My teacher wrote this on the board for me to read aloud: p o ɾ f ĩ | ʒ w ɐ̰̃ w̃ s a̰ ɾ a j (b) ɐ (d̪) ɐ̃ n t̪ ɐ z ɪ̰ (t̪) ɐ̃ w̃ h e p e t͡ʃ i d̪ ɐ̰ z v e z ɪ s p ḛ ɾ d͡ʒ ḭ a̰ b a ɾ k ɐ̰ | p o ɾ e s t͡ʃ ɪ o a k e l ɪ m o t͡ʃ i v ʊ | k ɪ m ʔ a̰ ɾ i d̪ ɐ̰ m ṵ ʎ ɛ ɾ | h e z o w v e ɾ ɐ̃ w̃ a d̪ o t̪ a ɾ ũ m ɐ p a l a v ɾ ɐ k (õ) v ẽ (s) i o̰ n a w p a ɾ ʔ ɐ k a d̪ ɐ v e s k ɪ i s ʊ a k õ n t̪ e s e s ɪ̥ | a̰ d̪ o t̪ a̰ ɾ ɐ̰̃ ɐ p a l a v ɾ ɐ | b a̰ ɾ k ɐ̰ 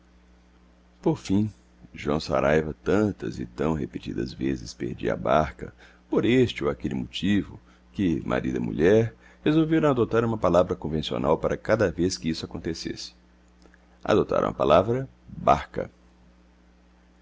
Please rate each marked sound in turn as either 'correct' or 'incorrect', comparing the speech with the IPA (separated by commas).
incorrect, incorrect, correct, correct, correct